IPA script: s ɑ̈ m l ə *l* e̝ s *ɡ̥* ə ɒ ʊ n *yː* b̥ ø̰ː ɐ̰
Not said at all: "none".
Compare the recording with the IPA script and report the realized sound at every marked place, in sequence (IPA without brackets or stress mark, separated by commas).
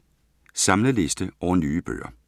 l, d̥, yː